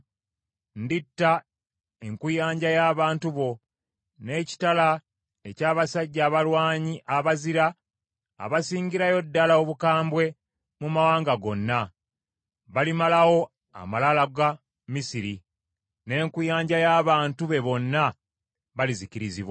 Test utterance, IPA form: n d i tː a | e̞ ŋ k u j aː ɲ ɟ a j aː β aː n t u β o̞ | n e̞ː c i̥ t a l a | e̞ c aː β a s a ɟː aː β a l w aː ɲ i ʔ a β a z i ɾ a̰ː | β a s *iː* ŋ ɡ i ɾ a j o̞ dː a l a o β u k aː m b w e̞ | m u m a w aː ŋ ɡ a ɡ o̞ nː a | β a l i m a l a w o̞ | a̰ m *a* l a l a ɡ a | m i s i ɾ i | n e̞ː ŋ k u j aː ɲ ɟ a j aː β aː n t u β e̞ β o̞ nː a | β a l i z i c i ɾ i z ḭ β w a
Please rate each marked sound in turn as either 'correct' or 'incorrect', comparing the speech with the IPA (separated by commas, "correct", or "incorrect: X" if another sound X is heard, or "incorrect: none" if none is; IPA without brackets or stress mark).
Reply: correct, correct